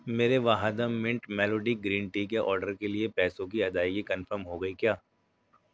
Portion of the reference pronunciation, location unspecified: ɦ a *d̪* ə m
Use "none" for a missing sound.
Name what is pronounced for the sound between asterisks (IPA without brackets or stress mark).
d̪